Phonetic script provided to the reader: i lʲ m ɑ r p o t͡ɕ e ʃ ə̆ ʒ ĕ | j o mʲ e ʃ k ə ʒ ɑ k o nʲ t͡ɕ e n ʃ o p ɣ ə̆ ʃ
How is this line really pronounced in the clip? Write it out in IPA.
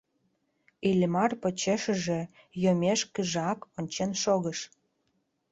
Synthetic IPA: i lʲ m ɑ r p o t͡ɕ e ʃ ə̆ ʒ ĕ | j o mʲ e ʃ k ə ʒ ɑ k o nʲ t͡ɕ e n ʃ o ɣ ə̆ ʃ